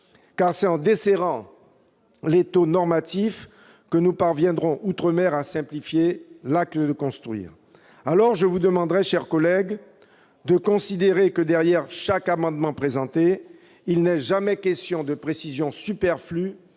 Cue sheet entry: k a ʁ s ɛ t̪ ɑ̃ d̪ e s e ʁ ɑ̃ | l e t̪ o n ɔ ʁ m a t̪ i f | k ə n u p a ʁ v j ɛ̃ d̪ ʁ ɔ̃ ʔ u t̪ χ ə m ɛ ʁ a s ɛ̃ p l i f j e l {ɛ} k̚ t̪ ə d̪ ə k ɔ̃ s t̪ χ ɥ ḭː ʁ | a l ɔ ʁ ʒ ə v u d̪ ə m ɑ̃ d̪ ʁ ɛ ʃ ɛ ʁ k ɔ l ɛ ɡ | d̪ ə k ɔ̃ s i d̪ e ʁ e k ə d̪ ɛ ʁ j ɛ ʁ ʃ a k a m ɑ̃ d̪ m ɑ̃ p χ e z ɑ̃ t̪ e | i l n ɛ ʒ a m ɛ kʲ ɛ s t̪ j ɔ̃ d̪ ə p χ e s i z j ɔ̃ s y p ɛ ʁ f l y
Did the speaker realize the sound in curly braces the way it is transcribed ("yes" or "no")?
no